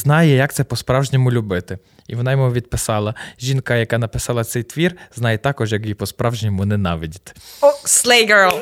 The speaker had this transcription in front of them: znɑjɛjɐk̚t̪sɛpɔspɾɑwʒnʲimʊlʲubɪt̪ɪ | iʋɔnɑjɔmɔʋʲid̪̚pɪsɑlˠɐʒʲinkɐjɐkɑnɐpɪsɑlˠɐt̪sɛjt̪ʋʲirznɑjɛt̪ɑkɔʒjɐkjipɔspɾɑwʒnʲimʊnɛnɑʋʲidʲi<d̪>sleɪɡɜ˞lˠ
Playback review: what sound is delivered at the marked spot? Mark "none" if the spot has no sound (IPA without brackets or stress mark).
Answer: t̪